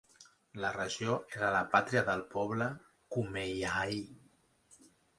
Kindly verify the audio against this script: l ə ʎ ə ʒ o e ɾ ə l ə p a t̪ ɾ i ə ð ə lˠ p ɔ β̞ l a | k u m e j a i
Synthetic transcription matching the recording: l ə r ə ʒ o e ɾ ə l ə p a t̪ ɾ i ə ð ə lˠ p ɔ β̞ l ə | k u m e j a i